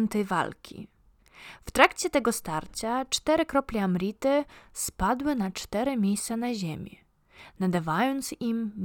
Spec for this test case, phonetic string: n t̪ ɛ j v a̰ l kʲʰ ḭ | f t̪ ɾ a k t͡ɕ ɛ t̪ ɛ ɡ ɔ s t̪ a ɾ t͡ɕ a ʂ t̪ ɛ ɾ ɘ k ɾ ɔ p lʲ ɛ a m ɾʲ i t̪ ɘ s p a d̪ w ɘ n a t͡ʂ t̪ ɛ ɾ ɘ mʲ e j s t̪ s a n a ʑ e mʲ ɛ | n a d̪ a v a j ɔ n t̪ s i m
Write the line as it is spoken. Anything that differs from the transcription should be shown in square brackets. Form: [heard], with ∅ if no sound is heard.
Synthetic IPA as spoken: n t̪ ɛ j v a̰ l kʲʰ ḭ | f t̪ ɾ a k t͡ɕ ɛ t̪ ɛ ɡ ɔ s t̪ a ɾ t͡ɕ a [t͡ʂ] t̪ ɛ ɾ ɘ k ɾ ɔ p lʲ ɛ a m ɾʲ i t̪ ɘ s p a d̪ w ɘ n a t͡ʂ t̪ ɛ ɾ ɘ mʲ e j s t̪ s a n a ʑ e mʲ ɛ | n a d̪ a v a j ɔ n t̪ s i m